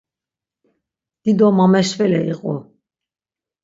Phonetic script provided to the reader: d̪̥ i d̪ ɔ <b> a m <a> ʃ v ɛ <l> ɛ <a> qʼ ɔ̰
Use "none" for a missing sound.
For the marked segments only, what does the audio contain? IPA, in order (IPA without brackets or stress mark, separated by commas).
m, ɛ, l, i